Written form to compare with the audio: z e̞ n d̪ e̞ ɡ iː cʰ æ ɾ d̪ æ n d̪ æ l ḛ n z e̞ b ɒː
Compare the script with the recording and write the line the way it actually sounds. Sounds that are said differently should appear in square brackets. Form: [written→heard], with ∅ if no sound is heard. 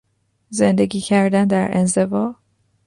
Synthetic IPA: z e̞ n d̪ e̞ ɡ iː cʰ æ ɾ d̪ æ n d̪ æ [l→ɾ] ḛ n z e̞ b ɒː